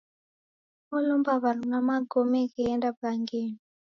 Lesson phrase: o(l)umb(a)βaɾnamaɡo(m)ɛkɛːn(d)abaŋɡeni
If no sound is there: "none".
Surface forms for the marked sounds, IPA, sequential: l, a, m, d

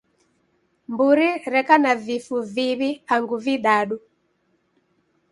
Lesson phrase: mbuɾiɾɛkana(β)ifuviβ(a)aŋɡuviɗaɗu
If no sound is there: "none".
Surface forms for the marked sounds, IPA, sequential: v, i

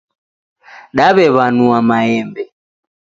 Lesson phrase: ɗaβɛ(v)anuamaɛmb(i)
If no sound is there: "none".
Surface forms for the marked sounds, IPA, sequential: β, ɛ

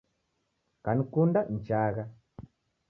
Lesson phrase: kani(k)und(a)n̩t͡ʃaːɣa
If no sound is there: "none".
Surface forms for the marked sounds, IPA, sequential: k, a

